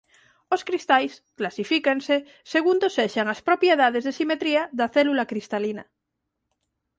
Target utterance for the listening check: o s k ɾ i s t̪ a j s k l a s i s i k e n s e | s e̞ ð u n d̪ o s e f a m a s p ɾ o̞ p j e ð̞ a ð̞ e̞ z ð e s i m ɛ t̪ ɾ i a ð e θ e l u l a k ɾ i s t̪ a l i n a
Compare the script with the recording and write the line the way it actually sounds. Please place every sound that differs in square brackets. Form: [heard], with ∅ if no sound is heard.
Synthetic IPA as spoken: o s k ɾ i s t̪ a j s k l a s i [f] i k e n s e | s e̞ [ɣ] u n d̪ o s e [ʃ] a [ŋ] a s p ɾ o̞ p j e ð̞ a ð̞ e̞ z ð e s i m [e] t̪ ɾ i a ð [a] θ e l u l a k ɾ i s t̪ a l i n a